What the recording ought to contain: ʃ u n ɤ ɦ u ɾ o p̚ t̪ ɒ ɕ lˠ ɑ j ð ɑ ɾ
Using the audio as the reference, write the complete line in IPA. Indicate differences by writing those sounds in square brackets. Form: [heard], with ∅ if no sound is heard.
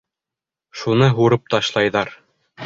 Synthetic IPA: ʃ u n ɤ ɦ u ɾ [ɤ] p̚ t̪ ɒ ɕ lˠ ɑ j ð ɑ ɾ